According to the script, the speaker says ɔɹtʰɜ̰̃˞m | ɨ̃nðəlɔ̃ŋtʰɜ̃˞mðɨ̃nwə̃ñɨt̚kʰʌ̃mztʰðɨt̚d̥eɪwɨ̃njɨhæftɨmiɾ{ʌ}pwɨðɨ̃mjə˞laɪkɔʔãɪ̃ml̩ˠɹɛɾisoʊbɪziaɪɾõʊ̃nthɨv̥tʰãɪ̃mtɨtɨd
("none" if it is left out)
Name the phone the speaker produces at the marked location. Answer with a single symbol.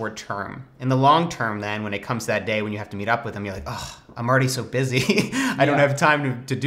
ʌ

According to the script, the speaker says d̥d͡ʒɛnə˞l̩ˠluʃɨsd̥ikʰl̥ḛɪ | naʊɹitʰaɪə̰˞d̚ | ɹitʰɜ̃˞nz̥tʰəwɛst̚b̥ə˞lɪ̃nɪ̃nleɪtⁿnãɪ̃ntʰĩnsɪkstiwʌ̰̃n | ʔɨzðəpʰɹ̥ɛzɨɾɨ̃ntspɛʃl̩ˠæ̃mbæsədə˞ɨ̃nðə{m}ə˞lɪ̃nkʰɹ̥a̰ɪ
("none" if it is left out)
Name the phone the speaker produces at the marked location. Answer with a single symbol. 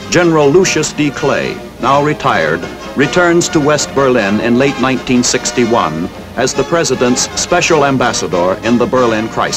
b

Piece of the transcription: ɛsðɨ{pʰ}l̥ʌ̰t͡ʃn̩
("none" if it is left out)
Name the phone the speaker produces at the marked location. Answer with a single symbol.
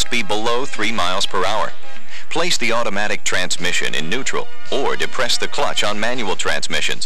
kʰ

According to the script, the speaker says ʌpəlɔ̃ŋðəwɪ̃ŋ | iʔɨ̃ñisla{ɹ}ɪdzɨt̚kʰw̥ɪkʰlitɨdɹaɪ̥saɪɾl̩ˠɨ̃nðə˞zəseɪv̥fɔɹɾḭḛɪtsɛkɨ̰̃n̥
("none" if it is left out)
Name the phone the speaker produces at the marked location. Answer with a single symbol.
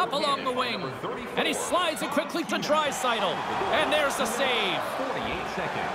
none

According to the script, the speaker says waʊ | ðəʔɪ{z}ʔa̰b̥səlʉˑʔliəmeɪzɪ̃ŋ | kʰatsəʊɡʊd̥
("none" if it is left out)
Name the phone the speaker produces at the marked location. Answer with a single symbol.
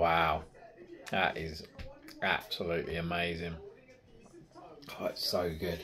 z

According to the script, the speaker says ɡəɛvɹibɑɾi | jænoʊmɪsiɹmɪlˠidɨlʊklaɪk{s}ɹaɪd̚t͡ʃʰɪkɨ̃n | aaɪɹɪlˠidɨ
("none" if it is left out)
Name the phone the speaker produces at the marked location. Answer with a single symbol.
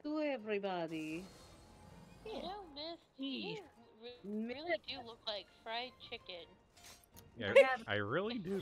f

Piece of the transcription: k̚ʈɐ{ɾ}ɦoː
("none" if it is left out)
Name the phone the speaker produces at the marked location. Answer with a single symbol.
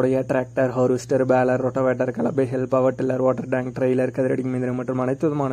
ɾ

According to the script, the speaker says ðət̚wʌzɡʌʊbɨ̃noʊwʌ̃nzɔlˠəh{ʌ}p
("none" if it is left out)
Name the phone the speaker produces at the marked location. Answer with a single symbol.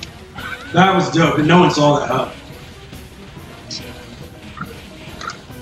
ʌ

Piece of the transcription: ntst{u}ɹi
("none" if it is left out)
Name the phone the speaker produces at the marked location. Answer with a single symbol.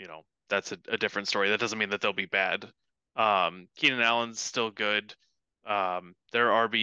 ɔ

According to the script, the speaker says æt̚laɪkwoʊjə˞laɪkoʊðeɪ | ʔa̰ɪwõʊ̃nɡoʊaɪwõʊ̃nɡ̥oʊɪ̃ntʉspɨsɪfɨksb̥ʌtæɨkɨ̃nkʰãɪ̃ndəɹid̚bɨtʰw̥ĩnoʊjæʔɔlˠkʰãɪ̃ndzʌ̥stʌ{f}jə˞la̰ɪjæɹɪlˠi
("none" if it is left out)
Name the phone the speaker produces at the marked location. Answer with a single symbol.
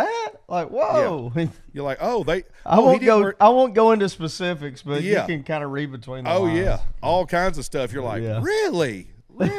f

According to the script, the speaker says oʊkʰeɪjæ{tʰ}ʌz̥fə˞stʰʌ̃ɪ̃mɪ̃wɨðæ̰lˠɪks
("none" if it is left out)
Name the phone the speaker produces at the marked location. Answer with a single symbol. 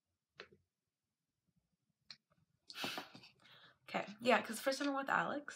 kʰ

